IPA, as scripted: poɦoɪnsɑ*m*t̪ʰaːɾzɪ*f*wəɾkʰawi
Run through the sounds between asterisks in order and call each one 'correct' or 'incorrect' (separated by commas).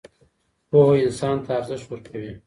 incorrect, incorrect